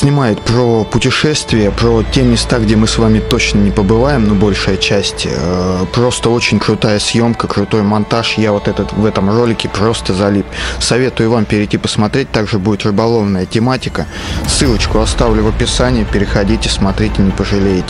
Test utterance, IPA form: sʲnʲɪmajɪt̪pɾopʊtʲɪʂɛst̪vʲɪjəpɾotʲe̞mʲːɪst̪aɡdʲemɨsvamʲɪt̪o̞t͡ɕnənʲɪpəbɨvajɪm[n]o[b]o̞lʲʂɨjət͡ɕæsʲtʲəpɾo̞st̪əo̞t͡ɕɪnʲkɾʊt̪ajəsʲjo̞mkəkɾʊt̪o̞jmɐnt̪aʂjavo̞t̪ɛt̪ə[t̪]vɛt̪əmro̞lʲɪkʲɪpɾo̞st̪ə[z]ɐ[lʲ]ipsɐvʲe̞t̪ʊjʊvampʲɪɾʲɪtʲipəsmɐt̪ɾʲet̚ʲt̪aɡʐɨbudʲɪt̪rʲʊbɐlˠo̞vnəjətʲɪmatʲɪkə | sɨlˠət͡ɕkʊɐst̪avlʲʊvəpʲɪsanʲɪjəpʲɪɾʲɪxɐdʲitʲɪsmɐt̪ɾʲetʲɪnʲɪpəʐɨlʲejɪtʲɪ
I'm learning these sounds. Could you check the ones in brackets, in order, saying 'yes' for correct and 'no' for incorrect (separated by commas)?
yes, yes, yes, yes, yes